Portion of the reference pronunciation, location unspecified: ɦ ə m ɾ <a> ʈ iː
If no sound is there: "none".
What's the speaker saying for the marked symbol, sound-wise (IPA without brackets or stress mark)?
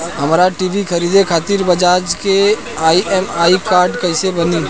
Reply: a